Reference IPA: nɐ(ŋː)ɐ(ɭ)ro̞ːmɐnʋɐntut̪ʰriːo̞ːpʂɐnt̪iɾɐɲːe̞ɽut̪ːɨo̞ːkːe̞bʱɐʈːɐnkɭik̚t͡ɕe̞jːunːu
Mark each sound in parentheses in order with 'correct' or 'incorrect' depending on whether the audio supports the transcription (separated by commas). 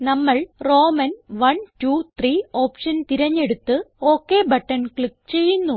incorrect, correct